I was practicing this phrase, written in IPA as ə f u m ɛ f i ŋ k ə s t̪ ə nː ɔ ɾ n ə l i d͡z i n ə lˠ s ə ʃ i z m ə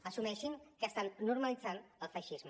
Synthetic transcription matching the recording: ə s u m ɛ ʃ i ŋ k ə s t̪ a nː u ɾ m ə l i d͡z a n ə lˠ f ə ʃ i z m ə

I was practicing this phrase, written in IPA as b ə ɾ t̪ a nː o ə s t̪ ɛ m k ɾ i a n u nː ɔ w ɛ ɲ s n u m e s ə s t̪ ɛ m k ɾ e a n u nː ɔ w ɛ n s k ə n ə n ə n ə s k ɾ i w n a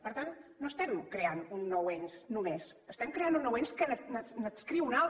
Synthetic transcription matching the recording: p ə ɾ t̪ a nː o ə s t̪ ɛ m k ɾ e a n u nː ɔ w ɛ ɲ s n u m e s ə s t̪ ɛ m k ɾ e a n u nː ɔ w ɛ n s k ə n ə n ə n ə s k ɾ i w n a

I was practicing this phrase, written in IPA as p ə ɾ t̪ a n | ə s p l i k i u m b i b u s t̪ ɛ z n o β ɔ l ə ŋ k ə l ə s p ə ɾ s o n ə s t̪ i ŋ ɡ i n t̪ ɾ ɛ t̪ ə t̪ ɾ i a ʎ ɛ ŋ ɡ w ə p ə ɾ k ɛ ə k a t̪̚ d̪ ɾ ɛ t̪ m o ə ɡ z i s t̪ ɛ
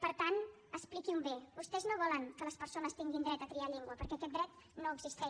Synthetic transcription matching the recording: p ə ɾ t̪ a n | ə s p l i k i u m b e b u s t̪ ɛ z n o β ɔ l ə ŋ k ə l ə s p ə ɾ s o n ə s t̪ i ŋ ɡ i n d̪ ɾ ɛ t̪ ə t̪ ɾ i a ʎ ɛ ŋ ɡ w ə p ə ɾ k ɛ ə k ɛ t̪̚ d̪ ɾ ɛ t̪ n o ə ɡ z i s t̪ ɛ

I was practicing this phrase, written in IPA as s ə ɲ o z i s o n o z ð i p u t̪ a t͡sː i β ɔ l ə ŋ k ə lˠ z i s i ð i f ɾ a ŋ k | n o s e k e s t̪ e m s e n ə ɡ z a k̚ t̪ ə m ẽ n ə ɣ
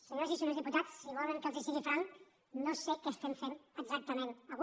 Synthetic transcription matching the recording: s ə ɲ o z i s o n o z ð i p u t̪ a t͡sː i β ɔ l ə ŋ k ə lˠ z i s i ɣ i f ɾ a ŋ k | n o s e k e s t̪ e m f e n ə ɡ z a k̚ t̪ ə m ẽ n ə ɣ

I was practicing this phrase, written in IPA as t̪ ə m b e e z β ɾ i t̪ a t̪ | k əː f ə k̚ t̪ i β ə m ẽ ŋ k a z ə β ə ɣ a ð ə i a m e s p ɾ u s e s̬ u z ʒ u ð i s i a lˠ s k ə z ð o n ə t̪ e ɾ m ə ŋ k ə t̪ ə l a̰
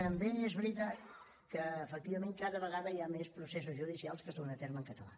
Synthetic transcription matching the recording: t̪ ə m b e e z β ɾ i t̪ a t̪ | k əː f ə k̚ t̪ i β ə m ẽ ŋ k a ð ə β ə ɣ a ð ə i a m e s p ɾ u s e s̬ u z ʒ u ð i s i a lˠ s k ə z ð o n ə t̪ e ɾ m ə ŋ k ə t̪ ə l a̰

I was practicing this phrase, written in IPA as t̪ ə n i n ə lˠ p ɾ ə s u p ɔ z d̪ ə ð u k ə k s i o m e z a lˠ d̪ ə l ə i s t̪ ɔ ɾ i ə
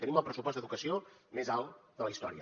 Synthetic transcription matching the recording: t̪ ə n i m ə lˠ p ɾ ə s u p ɔ z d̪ ə ð u k ə s i o m e z a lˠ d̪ ə l ə i s t̪ ɔ ɾ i ə

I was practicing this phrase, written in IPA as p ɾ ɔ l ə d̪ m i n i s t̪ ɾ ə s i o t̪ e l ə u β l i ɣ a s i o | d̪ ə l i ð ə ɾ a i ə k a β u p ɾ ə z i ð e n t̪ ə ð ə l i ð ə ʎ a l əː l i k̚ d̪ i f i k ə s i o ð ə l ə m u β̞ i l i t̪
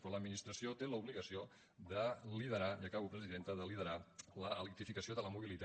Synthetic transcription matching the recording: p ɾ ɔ l ə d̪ m i n i s t̪ ɾ ə s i o t̪ e l ə u β l i ɣ ə s i o | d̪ ə l i ð ə ɾ a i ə k a β u p ɾ ə z i ð e n t̪ ə ð ə l i ð ə ɾ a l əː l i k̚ t̪ i f i k ə s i o ð ə l ə m u β̞ i l i t̪

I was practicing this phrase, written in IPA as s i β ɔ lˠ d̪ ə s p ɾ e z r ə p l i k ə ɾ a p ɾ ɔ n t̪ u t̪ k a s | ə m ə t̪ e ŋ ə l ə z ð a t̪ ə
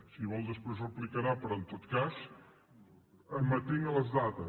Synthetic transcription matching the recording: s i β ɔ lˠ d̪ ə s p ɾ e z r ə p l i k ə ɾ a p ɾ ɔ n t̪ o t̪ k a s | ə m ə t̪ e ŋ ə l ə z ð a t̪ ə

